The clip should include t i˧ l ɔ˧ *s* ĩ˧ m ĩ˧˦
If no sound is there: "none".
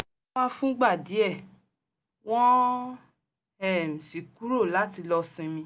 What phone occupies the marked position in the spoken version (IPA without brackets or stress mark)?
s